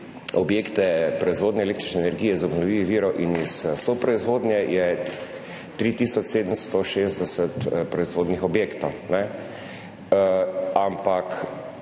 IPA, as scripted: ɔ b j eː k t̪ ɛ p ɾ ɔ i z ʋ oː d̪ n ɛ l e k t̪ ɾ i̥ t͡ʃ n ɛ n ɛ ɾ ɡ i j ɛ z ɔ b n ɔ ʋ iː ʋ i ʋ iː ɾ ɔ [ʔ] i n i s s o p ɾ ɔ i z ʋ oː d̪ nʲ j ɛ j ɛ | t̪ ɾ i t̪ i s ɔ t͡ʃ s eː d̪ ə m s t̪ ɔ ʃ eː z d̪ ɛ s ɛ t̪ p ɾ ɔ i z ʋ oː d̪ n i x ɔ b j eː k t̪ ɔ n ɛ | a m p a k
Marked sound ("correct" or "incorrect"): correct